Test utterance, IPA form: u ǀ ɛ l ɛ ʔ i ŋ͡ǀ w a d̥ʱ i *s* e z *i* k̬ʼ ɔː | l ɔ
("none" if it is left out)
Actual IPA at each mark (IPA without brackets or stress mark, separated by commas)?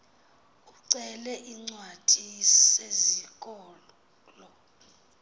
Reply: s, i